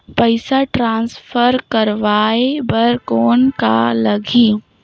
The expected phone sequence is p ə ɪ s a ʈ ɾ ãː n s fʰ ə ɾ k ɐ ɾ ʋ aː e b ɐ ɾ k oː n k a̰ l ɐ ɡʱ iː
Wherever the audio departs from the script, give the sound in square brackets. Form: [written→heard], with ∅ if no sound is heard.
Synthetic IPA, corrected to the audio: p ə ɪ s a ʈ ɾ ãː n s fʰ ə ɾ k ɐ ɾ ʋ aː e b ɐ ɾ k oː n k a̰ l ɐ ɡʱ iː